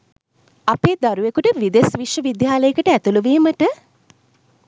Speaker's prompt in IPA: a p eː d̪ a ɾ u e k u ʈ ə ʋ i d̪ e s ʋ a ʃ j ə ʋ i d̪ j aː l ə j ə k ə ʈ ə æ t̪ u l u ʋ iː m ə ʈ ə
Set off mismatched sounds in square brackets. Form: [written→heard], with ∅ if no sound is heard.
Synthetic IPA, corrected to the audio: a p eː d̪ a ɾ u e k u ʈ ə ʋ i d̪ e s ʋ [a→i] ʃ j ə ʋ i d̪ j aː l ə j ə k ə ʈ ə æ t̪ u l u ʋ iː m ə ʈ ə